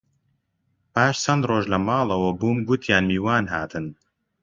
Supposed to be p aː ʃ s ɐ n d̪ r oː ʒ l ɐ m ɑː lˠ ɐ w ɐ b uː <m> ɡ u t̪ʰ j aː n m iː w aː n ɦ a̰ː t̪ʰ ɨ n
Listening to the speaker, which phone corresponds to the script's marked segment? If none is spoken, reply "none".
m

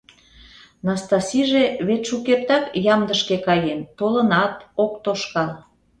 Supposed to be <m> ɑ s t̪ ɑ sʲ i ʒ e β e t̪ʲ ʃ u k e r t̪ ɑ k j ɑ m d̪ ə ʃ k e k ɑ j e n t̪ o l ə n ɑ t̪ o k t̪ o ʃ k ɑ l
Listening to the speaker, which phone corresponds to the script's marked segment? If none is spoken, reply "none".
n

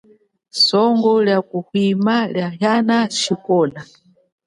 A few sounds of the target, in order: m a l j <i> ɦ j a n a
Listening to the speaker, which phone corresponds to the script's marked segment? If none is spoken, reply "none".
a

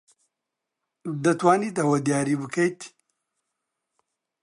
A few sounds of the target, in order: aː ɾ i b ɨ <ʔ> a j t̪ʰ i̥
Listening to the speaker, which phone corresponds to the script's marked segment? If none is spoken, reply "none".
k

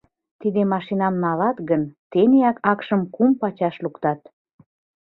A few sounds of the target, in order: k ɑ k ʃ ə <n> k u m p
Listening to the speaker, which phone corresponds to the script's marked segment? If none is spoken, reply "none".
m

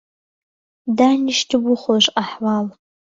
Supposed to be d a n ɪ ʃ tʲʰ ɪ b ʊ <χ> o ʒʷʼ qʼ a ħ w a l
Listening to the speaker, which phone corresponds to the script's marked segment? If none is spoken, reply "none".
χ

